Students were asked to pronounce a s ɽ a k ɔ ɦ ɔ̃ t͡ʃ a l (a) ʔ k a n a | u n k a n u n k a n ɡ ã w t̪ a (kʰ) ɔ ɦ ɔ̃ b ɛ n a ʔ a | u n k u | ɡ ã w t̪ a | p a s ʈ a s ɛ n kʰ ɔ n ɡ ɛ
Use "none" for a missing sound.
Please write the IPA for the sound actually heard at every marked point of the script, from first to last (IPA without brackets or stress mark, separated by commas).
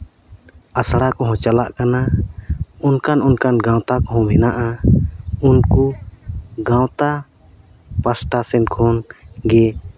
a, k